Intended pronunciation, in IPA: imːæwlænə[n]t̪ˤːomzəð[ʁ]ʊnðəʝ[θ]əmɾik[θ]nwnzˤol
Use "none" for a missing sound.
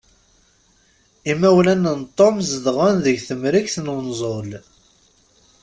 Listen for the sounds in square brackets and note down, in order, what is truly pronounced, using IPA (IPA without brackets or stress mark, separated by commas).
n, ʁ, θ, θ